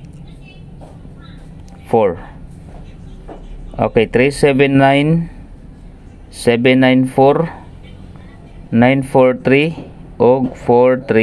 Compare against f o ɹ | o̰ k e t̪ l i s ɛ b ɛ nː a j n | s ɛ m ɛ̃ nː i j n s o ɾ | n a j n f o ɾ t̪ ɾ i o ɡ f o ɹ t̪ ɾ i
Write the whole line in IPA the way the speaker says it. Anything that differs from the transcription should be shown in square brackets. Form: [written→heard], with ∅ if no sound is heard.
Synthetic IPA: f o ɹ | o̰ k e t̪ [l→ɾ] i s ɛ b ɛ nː a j n | s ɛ [m→b] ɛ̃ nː [i→a] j n [s→f] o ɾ | n a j n f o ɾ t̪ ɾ i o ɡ f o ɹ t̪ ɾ i